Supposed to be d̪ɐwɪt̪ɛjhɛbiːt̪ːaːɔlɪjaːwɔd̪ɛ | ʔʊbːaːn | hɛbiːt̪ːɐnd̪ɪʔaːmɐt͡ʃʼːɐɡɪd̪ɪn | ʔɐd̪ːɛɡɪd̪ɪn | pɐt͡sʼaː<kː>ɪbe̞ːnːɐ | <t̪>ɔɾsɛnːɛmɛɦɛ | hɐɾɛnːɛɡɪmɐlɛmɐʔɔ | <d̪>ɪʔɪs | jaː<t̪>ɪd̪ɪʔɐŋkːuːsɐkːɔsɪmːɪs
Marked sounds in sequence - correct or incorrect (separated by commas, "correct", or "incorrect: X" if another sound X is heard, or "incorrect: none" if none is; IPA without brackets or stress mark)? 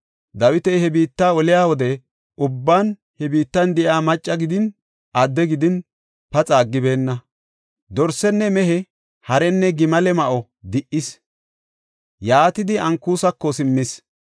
incorrect: ɡː, incorrect: d̪, correct, correct